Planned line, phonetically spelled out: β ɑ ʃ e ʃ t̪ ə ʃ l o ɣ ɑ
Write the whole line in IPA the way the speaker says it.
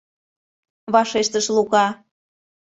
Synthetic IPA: β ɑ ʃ e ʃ t̪ ə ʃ l u ɣ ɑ